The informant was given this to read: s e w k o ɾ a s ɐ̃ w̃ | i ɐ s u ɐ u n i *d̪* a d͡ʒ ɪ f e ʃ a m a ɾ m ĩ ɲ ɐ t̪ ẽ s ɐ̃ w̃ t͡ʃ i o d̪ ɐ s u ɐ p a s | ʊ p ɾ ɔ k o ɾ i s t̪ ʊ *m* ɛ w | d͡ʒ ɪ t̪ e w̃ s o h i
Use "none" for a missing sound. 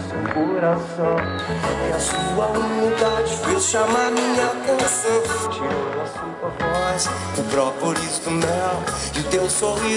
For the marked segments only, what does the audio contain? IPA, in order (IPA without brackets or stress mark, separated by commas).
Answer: d̪, m